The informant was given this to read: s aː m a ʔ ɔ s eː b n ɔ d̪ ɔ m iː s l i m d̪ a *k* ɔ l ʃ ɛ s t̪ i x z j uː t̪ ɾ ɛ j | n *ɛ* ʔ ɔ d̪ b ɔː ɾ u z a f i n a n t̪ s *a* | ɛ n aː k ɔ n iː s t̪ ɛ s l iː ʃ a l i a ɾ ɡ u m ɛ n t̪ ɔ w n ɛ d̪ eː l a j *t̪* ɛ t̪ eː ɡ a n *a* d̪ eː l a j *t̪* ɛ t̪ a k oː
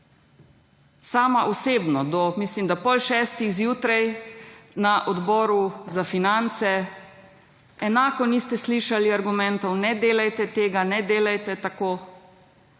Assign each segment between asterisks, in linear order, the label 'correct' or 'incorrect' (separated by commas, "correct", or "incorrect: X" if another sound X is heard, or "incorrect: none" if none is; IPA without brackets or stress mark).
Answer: incorrect: p, incorrect: a, incorrect: ɛ, correct, incorrect: ɛ, correct